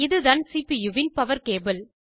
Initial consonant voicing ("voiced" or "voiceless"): voiced